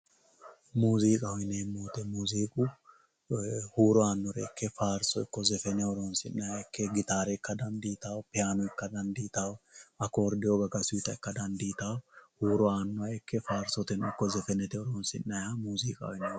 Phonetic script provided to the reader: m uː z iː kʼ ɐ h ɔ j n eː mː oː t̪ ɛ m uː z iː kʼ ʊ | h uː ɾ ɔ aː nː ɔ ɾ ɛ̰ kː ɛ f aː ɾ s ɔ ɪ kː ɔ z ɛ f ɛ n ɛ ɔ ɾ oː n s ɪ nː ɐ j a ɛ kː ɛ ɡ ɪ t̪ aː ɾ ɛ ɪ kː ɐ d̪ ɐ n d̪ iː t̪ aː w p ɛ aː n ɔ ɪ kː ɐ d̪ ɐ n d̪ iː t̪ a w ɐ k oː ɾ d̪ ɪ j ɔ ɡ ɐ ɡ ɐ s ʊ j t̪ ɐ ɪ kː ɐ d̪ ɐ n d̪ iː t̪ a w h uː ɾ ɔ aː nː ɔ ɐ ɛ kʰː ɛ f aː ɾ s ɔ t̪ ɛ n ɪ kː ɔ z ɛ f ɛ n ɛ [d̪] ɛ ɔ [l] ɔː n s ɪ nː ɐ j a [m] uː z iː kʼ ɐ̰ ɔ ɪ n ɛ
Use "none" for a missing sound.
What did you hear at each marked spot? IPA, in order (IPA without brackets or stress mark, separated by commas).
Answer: t̪, ɾ, m